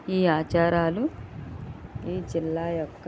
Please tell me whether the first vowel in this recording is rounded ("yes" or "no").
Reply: no